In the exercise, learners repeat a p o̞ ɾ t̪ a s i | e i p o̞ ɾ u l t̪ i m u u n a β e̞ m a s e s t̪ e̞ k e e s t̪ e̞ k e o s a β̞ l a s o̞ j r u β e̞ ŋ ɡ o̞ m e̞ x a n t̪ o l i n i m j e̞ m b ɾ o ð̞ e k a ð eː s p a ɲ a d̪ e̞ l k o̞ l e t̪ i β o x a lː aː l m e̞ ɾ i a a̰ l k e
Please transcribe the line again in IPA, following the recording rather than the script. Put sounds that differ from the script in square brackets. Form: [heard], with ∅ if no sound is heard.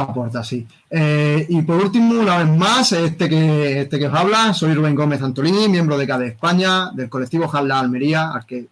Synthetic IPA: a p o̞ ɾ t̪ a s i | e i p o̞ ɾ u l t̪ i m u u n a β e̞ m a s e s t̪ e̞ k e e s t̪ e̞ k e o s a β̞ l a s o̞ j r u β e̞ ŋ ɡ o̞ m e̞ [θ] a n t̪ o l i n i m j e̞ m b ɾ o ð̞ e k a ð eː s p a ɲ a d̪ e̞ l k o̞ l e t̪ i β o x a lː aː l m e̞ ɾ i a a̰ l k e